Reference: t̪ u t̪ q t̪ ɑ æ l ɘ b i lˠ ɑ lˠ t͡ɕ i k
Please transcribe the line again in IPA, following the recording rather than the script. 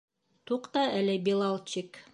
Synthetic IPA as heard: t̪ u q t̪ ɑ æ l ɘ b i lˠ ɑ lˠ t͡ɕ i k